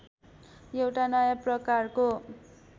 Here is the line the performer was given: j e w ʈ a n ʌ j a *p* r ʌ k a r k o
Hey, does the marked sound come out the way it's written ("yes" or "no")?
yes